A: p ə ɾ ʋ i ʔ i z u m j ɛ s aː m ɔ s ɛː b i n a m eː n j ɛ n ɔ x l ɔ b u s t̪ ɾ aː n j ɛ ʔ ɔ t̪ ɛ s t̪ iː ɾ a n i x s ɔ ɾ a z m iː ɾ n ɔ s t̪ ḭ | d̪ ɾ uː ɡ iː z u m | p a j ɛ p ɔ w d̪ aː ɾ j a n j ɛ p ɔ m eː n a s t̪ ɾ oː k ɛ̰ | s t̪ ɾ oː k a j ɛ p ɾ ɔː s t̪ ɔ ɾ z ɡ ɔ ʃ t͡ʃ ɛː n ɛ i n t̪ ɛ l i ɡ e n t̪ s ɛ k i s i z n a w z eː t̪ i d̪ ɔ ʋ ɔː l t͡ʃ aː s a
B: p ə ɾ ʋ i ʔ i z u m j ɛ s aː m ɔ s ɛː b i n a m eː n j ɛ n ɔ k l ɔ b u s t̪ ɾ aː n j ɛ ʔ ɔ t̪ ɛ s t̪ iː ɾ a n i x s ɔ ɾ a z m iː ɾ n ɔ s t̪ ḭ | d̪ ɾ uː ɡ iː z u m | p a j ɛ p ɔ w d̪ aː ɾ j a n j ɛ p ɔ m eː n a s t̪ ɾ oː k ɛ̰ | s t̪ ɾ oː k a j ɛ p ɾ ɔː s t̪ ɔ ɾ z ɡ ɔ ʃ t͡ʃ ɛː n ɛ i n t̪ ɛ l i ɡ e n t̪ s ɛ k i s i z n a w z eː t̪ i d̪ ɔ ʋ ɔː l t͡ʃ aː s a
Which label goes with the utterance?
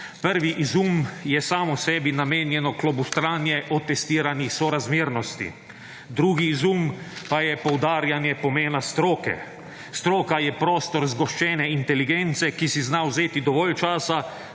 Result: B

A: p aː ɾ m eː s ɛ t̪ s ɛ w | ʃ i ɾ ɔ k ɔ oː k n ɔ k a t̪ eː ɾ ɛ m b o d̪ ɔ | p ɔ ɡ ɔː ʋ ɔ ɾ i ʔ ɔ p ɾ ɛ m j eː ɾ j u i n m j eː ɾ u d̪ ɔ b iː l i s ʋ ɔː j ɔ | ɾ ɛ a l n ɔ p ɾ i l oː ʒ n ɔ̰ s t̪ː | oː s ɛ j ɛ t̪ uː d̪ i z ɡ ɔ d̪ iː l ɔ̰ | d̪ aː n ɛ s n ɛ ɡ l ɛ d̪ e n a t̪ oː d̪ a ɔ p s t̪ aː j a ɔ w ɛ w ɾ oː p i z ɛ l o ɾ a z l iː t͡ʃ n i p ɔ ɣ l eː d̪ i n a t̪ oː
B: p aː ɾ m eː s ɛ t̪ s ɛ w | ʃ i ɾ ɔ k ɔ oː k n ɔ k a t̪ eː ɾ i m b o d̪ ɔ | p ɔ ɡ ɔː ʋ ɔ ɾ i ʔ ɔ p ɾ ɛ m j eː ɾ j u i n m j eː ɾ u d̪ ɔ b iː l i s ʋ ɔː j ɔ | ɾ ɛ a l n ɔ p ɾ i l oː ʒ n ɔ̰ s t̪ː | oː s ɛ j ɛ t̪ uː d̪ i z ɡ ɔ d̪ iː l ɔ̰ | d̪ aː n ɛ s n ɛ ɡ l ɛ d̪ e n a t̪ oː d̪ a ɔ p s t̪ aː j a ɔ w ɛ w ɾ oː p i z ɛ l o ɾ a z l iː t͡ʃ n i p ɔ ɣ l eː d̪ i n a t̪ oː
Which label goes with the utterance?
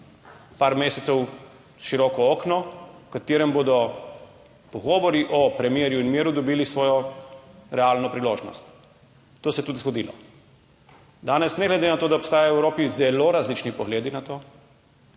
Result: A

